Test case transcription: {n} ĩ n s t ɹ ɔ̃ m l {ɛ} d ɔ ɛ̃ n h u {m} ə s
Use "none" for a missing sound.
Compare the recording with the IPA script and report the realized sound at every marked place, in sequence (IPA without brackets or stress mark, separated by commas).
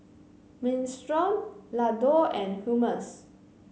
m, a, m